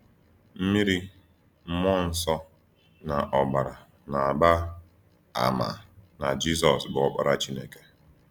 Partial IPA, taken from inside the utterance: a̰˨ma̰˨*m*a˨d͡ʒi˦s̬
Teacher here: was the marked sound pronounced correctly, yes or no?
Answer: no